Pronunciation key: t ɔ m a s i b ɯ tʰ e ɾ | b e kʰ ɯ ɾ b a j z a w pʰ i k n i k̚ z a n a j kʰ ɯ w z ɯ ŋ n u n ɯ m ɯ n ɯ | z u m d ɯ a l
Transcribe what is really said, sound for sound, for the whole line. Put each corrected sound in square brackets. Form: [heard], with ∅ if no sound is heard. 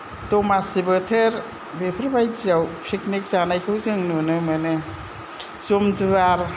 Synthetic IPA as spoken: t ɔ m a s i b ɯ tʰ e ɾ | b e [pʰ] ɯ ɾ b a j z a w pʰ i k n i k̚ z a n a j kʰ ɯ w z ɯ ŋ n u n ɯ m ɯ n ɯ | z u m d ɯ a [ɾ]